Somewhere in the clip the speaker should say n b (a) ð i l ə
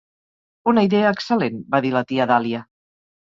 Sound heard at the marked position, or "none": a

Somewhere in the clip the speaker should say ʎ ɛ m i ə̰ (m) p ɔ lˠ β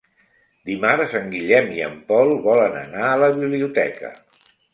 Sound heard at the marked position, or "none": m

